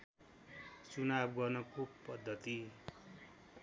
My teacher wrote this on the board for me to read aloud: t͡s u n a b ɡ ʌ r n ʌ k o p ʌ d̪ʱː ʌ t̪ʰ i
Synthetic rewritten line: t͡s u n a b ɡ ʌ r n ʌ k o p ʌ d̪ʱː ʌ t̪ i